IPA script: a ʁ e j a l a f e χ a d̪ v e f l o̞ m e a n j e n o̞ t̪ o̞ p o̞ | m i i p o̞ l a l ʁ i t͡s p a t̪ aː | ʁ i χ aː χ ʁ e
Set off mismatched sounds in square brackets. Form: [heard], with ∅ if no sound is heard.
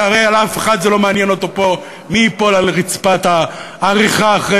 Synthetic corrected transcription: a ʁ e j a l a f e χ a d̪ [z] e [∅] l o̞ m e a n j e n o̞ t̪ o̞ p o̞ | m i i p o̞ l a l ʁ i t͡s p a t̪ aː | ʁ i χ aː χ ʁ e